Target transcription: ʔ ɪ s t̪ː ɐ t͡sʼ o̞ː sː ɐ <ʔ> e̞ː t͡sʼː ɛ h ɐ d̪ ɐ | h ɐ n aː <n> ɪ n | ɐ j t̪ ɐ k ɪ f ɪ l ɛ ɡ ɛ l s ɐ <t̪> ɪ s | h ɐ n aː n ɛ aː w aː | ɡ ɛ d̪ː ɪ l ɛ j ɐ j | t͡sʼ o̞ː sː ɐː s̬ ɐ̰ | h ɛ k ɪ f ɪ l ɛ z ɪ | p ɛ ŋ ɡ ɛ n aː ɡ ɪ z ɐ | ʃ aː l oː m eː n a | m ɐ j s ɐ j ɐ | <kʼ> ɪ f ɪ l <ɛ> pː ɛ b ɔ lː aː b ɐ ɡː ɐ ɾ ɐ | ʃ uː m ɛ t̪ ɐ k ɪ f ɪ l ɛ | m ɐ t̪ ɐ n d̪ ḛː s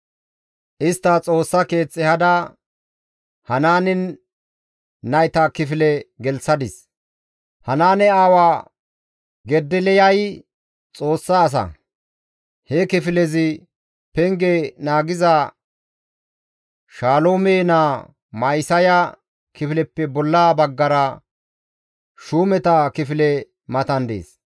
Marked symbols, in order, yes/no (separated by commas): no, yes, no, no, yes